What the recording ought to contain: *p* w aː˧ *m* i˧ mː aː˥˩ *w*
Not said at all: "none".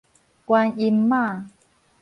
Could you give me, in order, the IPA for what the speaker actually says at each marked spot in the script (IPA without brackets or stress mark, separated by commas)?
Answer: k, n, none